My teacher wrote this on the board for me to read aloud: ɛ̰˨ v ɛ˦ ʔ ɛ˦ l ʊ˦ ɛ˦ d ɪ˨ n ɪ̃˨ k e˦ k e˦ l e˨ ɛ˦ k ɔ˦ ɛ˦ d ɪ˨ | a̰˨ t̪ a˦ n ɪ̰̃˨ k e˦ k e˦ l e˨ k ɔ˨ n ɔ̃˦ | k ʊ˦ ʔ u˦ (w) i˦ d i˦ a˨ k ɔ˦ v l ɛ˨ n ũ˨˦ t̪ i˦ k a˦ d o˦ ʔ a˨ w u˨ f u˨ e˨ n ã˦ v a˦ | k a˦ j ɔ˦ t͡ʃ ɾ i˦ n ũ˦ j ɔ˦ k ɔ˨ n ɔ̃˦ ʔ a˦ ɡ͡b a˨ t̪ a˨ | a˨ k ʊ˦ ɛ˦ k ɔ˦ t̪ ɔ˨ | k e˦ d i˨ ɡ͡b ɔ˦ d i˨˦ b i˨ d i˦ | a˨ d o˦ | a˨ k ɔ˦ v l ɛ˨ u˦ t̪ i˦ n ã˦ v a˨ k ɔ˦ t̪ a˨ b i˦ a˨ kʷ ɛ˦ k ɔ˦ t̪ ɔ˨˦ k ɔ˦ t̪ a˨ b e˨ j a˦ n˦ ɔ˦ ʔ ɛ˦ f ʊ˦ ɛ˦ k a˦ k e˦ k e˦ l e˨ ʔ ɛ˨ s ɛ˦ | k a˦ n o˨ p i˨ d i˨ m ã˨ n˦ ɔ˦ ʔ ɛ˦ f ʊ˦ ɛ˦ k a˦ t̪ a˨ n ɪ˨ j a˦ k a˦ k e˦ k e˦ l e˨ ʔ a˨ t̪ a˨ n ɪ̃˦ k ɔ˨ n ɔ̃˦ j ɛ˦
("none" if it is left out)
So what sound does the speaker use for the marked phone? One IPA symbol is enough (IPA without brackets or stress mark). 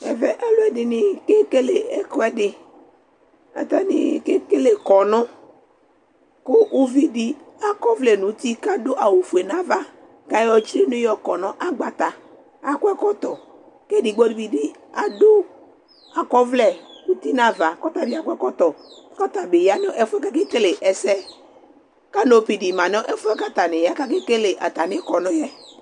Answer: v